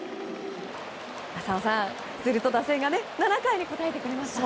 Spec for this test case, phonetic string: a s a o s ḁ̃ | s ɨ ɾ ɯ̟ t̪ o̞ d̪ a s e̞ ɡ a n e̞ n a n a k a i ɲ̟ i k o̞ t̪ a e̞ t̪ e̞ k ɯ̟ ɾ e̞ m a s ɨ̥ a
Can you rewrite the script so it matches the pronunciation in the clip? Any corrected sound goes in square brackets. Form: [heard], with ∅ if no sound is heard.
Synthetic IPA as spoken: a s a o s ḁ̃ | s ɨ ɾ ɯ̟ t̪ o̞ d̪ a s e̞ ɡ a n e̞ n a n a k a i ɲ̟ i k o̞ t̪ a e̞ t̪ e̞ k ɯ̟ ɾ e̞ m a s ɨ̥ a